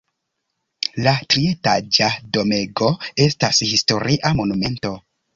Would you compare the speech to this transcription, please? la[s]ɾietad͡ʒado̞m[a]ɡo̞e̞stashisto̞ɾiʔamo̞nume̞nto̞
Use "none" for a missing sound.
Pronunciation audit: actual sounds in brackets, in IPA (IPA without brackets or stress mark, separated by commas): t, e